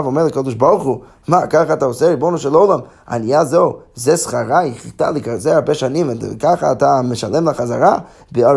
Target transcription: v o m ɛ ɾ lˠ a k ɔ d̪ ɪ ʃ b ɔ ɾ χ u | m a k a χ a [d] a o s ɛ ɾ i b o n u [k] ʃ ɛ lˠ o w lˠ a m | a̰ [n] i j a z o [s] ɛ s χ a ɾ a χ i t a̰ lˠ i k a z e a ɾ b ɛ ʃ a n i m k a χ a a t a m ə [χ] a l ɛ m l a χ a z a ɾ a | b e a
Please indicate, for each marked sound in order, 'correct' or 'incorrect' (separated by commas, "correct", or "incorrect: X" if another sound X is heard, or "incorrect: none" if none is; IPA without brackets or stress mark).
incorrect: t, incorrect: none, correct, incorrect: z, incorrect: ʃ